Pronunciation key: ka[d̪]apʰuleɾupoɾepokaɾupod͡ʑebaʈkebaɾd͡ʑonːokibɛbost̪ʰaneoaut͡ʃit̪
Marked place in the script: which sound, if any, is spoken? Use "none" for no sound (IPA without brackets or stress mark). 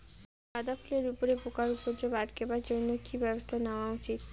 d̪